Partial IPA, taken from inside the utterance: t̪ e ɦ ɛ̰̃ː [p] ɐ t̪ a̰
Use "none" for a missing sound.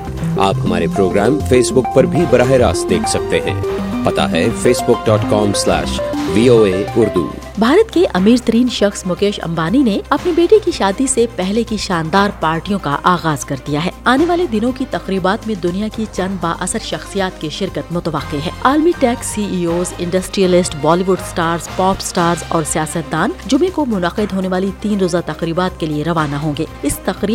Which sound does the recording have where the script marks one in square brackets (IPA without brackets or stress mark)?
p